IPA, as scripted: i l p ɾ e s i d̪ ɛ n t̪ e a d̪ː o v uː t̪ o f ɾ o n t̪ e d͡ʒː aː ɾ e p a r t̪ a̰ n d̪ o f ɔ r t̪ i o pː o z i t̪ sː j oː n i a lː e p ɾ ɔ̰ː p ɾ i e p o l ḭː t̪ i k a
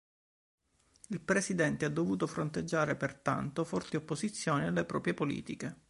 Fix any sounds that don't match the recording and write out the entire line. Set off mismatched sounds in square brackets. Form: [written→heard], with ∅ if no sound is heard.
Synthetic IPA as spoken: i l p ɾ e s i d̪ ɛ n t̪ e a d̪ː o v uː t̪ o f ɾ o n t̪ e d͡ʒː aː ɾ e p [a→e] r t̪ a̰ n [d̪→t̪] o f ɔ r t̪ i o pː o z i t̪ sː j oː n i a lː e p ɾ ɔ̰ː p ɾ [i→j] e p o l ḭː t̪ i k [a→e]